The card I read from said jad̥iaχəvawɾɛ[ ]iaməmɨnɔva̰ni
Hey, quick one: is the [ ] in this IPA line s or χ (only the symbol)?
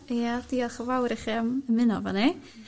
χ